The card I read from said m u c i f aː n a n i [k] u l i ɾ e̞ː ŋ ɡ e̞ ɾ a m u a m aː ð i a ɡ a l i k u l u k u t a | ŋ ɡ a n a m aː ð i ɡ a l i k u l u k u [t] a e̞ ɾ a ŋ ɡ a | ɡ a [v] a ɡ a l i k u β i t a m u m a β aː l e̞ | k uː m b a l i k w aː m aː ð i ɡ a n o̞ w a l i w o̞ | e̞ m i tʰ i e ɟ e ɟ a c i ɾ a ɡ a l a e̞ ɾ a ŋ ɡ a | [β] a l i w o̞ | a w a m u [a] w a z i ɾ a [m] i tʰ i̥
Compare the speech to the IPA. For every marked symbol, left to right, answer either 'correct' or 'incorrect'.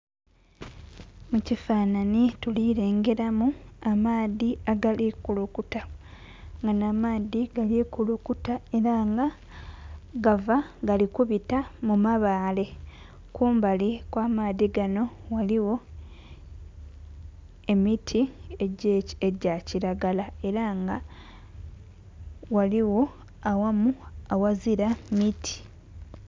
incorrect, correct, correct, incorrect, correct, correct

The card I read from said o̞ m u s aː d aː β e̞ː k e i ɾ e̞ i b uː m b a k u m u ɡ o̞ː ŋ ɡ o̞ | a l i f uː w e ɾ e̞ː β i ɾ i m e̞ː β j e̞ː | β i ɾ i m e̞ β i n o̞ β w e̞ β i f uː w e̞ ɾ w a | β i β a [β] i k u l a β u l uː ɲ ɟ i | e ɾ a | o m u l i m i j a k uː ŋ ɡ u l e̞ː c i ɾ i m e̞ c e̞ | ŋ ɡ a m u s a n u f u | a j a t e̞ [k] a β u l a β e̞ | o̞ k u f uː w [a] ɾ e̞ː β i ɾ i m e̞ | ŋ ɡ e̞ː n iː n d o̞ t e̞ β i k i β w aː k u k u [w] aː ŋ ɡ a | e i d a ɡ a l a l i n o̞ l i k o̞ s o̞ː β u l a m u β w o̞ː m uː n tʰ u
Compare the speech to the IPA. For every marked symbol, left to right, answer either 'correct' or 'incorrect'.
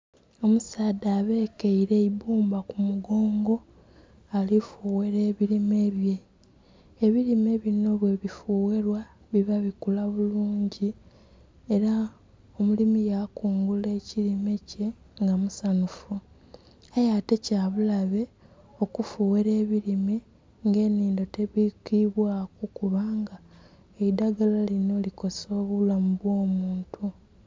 correct, incorrect, incorrect, incorrect

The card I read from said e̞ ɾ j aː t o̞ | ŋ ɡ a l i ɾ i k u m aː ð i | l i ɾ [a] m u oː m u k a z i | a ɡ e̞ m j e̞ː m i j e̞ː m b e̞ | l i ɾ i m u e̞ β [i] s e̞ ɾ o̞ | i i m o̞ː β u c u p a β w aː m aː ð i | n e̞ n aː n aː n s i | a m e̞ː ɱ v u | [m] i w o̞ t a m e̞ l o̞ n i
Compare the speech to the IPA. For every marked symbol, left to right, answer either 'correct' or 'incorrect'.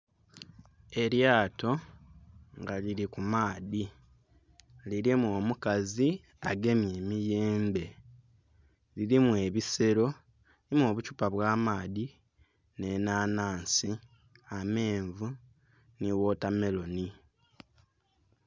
incorrect, correct, incorrect

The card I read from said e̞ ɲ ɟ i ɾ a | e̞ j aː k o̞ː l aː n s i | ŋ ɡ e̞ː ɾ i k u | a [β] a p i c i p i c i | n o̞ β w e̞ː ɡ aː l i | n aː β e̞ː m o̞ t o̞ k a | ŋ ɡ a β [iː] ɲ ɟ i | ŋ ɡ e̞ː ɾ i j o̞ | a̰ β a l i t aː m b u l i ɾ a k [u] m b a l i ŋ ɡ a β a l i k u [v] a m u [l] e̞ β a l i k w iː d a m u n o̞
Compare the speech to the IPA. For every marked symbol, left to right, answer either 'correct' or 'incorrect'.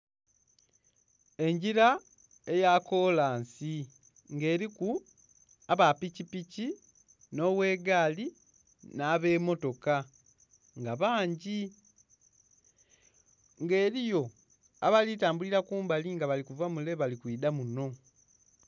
correct, incorrect, incorrect, correct, correct

